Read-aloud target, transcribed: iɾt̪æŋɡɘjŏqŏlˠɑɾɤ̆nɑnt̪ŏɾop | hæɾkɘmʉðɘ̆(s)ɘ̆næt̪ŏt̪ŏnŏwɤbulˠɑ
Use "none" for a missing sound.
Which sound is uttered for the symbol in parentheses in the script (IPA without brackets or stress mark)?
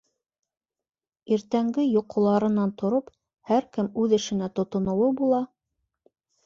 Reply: ʃ